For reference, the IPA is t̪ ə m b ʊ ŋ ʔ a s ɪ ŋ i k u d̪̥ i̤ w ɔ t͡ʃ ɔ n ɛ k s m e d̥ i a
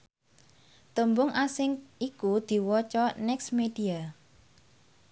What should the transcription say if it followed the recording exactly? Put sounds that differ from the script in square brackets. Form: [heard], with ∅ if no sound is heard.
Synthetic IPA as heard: t̪ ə m b ʊ ŋ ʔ a s ɪ ŋ i k u d̪̥ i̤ w ɔ t͡ʃ ɔ n ɛ k s m e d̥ i a